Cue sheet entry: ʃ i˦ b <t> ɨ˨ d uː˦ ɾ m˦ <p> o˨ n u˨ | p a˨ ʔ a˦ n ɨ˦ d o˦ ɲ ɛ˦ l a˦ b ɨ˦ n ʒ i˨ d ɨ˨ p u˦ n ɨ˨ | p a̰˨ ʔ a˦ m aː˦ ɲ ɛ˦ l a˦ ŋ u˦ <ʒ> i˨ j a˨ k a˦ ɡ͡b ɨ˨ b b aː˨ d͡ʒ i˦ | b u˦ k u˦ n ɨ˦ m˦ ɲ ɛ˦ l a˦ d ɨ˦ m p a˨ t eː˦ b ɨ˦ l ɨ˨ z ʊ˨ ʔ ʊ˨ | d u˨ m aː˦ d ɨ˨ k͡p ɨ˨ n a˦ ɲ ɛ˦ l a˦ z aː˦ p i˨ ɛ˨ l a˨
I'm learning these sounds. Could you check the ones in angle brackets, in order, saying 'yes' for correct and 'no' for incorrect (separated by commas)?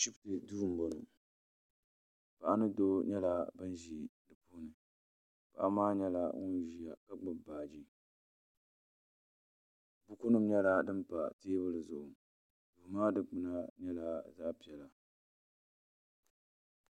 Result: yes, no, yes